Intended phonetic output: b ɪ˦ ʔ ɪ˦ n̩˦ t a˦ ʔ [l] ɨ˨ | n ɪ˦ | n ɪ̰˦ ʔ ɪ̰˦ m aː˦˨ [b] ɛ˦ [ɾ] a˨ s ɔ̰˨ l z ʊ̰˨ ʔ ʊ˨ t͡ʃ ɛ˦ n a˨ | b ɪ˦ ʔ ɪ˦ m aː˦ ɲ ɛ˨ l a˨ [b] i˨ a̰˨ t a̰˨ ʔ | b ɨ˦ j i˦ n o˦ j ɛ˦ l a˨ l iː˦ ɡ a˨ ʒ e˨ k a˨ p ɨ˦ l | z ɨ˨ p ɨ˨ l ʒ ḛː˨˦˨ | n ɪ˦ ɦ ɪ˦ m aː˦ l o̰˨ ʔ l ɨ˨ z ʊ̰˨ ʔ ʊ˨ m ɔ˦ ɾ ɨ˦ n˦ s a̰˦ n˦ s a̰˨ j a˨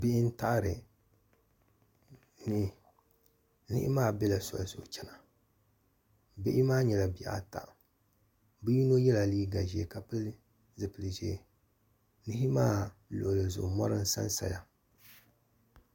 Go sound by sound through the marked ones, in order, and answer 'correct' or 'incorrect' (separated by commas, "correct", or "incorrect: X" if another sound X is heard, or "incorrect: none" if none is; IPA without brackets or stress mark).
incorrect: ɾ, correct, incorrect: l, correct